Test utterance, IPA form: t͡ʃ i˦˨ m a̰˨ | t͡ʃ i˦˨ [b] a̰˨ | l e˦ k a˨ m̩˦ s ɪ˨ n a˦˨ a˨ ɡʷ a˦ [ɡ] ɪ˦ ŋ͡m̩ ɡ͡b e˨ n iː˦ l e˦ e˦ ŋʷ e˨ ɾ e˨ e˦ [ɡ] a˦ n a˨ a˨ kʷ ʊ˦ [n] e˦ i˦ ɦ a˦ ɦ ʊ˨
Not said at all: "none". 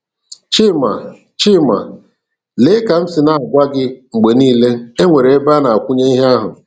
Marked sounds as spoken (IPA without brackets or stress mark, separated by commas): m, ɡ, b, ɲ